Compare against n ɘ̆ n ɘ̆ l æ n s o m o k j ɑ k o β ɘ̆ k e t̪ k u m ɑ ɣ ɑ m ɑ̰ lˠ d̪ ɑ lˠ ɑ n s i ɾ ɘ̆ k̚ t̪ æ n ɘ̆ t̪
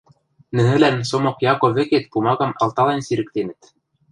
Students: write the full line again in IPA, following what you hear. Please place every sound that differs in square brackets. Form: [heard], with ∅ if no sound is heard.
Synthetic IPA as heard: n ɘ̆ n ɘ̆ l æ n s o m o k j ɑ k o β ɘ̆ k e t̪ [p] u m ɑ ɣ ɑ m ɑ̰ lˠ [t̪] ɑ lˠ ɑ n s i ɾ ɘ̆ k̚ t̪ [e] n ɘ̆ t̪